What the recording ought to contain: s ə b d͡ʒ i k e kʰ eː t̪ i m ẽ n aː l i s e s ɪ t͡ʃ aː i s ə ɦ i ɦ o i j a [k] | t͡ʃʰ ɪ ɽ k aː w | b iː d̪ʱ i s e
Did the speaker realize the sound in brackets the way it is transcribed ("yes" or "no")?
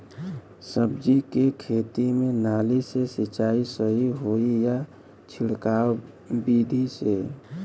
no